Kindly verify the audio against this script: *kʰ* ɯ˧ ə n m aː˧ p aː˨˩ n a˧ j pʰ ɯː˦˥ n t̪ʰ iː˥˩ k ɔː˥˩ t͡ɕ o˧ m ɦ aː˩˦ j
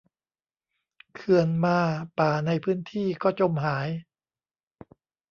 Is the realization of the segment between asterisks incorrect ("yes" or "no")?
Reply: no